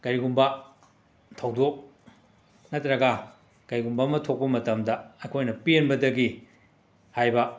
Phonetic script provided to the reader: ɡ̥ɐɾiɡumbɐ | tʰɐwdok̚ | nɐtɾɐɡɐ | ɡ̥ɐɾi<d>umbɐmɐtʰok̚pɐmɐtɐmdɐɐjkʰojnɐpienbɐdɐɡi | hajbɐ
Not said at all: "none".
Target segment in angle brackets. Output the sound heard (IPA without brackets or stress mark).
ɡ